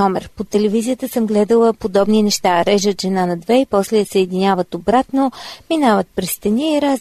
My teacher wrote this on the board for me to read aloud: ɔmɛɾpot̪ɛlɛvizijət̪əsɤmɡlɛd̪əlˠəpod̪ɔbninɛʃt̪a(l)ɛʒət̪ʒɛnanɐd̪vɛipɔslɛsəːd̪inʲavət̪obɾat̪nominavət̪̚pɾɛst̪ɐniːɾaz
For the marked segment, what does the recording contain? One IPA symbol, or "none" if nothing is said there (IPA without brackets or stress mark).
ɾ